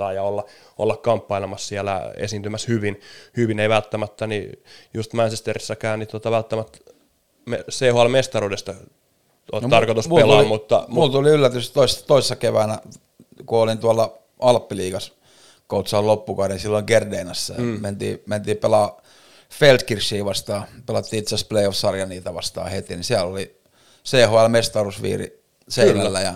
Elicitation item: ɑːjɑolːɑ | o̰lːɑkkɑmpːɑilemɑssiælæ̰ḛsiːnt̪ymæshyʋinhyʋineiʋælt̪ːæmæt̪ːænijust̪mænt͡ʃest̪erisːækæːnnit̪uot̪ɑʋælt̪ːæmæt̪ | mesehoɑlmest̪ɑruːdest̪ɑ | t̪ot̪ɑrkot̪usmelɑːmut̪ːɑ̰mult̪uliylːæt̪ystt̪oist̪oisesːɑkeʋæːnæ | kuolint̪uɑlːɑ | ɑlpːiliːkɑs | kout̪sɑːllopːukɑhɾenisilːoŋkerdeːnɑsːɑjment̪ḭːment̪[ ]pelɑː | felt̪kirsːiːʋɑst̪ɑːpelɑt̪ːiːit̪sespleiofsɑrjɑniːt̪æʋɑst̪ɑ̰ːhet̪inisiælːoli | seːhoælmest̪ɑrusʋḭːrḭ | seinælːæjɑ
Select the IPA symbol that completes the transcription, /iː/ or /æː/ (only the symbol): iː